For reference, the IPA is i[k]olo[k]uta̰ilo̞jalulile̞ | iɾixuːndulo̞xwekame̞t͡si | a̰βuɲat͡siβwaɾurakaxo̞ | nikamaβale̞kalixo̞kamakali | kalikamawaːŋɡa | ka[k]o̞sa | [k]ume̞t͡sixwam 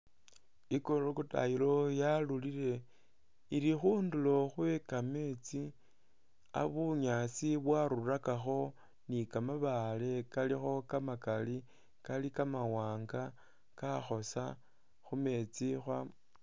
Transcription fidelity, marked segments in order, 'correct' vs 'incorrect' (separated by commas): correct, correct, incorrect, incorrect